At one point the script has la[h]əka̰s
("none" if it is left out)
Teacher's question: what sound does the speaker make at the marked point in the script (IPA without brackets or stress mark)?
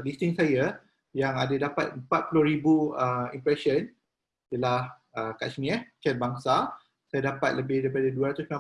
h